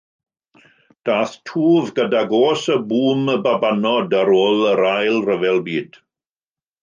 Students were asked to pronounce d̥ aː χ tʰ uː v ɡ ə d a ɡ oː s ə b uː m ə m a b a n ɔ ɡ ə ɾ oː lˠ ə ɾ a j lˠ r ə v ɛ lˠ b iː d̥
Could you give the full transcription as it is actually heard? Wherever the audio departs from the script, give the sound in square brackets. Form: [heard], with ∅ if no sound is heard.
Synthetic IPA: d̥ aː [θ] tʰ uː v ɡ ə d a ɡ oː s ə b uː m ə [b] a b a n ɔ [d] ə ɾ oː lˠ ə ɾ a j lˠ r ə v ɛ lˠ b iː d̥